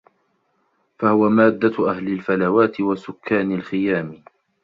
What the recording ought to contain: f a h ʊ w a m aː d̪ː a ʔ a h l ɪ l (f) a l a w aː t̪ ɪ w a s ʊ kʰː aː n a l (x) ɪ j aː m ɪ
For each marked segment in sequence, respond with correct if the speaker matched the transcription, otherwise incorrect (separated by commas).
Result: correct, correct